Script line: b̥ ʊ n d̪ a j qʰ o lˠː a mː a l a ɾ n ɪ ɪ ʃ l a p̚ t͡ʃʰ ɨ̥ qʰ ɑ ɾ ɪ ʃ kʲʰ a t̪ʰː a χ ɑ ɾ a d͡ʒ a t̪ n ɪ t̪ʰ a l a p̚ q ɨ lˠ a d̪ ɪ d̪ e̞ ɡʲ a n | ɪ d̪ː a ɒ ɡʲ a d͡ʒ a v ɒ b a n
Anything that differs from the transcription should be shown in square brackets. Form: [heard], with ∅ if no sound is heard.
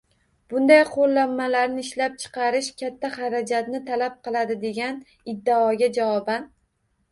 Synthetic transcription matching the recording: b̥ ʊ n d̪ a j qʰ o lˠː a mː a l a ɾ n ɪ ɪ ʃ l a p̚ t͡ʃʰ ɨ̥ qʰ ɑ ɾ ɪ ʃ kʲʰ a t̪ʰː a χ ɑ ɾ a d͡ʒ a t̪ n ɪ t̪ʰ a l a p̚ q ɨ lˠ a d̪ ɪ d̪ e̞ ɡʲ a n | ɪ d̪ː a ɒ ɡʲ a d͡ʒ a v ɒ b a n